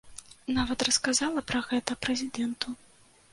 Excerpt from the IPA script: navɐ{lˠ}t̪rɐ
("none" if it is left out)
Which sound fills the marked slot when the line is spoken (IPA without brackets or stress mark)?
none